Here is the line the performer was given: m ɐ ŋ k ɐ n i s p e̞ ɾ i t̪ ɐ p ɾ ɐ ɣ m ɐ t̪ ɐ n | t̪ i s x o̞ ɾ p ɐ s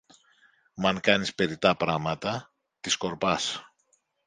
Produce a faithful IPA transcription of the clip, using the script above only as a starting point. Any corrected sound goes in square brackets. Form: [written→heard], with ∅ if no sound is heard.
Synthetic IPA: m ɐ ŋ k ɐ n i s p e̞ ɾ i t̪ ɐ p ɾ ɐ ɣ m ɐ t̪ ɐ [n→∅] | t̪ i s [x→k] o̞ ɾ p ɐ s